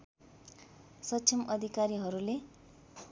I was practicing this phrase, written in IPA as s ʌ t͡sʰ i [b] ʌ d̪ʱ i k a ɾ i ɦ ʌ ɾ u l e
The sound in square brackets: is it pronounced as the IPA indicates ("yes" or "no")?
no